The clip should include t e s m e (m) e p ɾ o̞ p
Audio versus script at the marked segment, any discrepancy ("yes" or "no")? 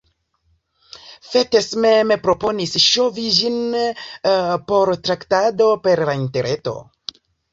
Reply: no